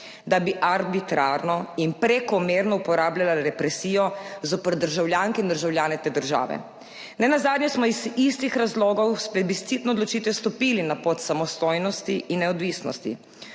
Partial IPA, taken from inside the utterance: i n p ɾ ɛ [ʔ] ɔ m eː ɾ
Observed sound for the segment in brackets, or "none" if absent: k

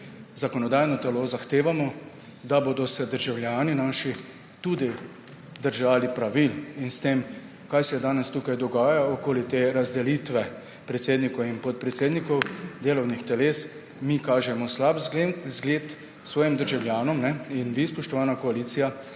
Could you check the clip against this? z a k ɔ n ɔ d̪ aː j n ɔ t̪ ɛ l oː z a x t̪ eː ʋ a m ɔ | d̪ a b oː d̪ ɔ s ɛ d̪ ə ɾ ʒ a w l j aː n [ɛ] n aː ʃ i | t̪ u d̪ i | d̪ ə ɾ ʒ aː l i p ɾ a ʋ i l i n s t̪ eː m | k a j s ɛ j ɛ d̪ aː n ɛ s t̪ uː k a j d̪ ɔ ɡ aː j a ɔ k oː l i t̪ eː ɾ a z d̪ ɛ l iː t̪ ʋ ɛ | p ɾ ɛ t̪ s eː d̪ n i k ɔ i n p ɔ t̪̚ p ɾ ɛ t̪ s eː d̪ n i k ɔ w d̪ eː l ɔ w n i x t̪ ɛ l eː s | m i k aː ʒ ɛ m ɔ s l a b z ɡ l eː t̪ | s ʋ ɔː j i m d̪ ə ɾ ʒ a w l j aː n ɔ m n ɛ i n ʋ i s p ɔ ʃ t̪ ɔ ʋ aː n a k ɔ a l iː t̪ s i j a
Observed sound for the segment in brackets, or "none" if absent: i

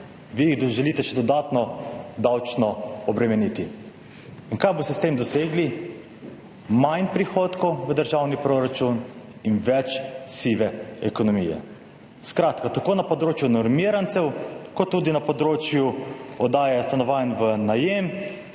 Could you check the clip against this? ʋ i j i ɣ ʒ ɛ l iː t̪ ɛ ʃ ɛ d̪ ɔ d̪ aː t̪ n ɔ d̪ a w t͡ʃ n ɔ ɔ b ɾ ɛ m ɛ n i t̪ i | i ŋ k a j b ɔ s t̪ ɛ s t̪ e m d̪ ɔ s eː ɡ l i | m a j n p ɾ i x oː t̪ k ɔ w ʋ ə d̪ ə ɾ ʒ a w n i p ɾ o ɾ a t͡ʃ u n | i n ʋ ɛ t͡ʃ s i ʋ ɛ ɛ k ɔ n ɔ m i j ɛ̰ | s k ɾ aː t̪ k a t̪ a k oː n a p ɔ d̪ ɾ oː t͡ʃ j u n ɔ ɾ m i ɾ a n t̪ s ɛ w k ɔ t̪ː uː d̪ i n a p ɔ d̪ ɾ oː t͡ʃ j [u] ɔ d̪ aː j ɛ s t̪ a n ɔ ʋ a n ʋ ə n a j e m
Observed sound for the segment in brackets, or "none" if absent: u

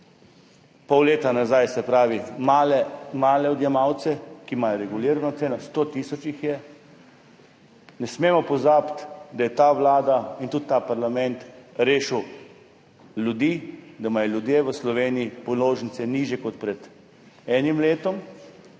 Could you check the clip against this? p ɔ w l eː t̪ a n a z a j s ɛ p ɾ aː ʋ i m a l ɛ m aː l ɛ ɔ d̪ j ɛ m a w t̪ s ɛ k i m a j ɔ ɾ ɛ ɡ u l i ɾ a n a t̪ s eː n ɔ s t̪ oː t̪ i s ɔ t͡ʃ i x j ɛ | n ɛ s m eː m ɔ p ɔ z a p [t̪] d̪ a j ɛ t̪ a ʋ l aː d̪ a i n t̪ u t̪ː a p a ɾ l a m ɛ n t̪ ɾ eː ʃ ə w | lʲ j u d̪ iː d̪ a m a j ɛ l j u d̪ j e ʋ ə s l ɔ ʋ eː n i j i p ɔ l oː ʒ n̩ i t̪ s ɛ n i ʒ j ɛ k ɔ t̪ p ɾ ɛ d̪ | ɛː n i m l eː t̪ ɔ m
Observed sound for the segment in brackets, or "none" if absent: t̪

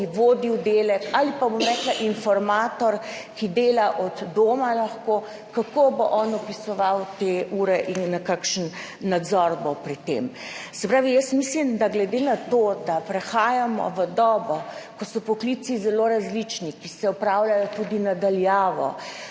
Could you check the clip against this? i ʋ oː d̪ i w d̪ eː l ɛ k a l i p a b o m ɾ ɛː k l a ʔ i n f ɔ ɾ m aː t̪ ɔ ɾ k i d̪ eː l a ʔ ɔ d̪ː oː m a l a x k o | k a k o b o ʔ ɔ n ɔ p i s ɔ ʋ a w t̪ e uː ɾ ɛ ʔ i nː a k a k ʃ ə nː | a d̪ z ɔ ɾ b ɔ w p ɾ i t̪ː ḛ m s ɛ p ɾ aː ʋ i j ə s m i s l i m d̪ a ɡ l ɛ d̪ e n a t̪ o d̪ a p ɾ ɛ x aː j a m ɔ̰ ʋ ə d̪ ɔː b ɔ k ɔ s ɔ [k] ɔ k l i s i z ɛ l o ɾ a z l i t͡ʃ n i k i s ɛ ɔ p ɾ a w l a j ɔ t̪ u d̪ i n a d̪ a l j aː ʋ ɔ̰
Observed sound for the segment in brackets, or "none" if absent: p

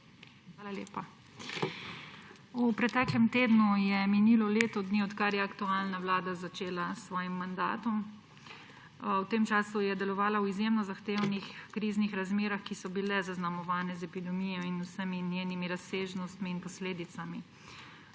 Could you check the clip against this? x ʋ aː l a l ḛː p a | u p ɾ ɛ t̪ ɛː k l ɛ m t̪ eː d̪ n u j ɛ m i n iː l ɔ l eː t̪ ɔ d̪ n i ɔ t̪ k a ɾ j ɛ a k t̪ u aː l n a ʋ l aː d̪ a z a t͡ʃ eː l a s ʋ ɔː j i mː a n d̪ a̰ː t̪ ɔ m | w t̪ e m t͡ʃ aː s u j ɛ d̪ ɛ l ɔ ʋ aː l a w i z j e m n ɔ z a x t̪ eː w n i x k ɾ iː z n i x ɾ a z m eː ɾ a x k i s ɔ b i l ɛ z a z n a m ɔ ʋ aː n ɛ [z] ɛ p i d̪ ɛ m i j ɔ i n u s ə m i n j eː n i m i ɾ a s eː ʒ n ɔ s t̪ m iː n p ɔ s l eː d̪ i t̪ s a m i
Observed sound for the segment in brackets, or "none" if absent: z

